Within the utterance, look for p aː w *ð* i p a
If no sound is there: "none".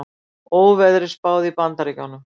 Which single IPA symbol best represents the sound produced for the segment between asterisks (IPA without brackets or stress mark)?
ð